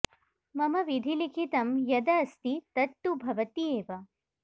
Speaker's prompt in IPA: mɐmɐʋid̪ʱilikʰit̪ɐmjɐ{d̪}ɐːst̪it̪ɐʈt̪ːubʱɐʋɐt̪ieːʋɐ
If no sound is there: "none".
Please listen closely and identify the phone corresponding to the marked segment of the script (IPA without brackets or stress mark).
d̪